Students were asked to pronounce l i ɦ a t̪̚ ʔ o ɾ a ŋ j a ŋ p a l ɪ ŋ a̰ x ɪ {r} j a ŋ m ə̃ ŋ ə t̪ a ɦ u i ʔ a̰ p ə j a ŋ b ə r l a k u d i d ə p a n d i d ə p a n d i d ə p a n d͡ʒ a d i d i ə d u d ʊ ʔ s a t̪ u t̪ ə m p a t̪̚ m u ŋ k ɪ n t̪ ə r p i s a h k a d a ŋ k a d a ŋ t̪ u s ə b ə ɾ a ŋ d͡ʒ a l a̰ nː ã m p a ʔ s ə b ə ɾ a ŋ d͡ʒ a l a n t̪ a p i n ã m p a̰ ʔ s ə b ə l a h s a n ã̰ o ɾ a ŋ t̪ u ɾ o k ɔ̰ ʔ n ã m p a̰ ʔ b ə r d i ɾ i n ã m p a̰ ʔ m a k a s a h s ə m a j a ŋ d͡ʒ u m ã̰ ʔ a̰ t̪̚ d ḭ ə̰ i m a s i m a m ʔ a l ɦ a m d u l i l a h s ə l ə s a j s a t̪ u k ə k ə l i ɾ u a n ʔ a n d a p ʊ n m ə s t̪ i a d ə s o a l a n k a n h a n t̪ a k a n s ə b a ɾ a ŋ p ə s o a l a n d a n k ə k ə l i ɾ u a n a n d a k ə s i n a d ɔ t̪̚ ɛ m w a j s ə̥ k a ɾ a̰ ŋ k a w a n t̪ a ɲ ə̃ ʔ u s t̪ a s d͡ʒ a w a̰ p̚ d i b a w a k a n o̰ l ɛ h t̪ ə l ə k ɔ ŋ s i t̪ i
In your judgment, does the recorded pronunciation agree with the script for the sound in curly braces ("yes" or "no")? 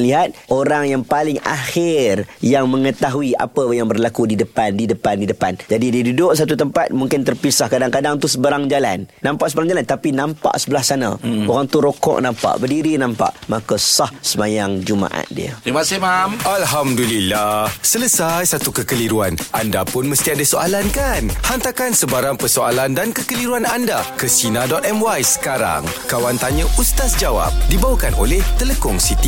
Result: yes